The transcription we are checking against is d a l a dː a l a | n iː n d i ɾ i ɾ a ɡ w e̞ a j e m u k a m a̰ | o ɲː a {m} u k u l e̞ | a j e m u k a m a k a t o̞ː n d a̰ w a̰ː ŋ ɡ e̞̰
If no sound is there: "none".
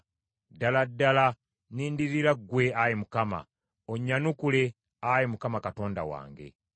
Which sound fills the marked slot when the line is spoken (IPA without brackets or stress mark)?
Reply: n